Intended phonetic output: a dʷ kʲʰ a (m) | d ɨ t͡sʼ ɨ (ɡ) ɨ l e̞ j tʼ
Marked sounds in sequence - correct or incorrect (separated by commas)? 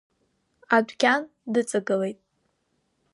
incorrect, correct